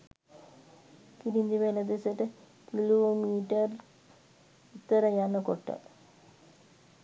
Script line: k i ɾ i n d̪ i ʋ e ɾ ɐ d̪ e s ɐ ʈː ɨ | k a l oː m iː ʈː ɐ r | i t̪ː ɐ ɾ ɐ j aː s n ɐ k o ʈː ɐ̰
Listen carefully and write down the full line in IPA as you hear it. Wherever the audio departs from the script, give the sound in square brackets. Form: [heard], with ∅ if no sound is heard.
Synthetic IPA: k i ɾ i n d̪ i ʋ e [l] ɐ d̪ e s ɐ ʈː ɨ | k [i] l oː m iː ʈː ɐ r | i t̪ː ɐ ɾ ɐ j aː [∅] n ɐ k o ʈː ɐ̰